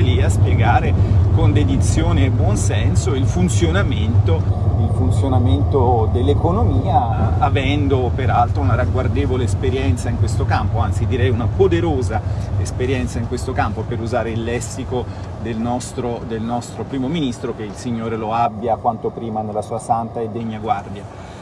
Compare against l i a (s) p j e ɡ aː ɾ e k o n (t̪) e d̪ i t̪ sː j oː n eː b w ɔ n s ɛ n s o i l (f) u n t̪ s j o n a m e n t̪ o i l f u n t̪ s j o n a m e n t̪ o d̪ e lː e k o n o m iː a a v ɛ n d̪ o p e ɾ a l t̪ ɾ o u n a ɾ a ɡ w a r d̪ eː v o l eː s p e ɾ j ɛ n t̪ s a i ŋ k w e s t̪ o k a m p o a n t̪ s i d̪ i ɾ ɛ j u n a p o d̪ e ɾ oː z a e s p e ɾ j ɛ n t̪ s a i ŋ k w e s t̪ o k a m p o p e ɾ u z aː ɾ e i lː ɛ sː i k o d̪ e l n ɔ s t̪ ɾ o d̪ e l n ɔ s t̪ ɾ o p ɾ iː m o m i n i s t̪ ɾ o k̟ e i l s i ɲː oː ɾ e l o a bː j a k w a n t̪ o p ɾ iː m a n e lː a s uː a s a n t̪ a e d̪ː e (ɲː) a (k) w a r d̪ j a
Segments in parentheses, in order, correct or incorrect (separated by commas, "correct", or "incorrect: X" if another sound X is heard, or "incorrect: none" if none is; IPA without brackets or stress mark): correct, incorrect: d̪, correct, correct, incorrect: ɡ